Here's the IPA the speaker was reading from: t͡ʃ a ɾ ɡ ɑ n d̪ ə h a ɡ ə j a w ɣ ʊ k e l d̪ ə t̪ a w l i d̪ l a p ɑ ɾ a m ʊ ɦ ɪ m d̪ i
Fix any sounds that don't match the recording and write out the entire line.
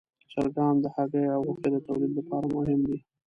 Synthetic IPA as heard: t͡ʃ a ɾ ɡ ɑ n d̪ ə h a ɡ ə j a w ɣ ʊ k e d̪ ə t̪ a w l i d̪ l a p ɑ ɾ a m ʊ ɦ ɪ m d̪ i